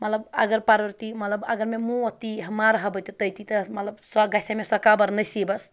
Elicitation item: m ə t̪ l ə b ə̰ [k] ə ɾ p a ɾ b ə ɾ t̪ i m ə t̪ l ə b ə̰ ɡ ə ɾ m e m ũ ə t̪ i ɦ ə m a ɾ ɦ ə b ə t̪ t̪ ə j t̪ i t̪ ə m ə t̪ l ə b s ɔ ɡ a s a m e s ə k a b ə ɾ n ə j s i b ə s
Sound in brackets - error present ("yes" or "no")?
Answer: yes